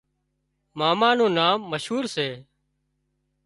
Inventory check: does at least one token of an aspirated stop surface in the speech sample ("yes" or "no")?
no